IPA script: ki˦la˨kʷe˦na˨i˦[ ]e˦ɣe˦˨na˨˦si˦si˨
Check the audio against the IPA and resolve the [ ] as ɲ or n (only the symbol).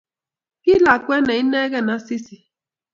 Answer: n